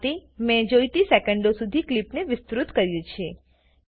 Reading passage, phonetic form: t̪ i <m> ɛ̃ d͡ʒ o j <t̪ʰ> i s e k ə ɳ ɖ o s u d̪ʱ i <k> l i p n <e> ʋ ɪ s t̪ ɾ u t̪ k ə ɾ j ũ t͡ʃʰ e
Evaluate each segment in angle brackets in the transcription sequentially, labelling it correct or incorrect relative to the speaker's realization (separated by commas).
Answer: correct, incorrect, correct, correct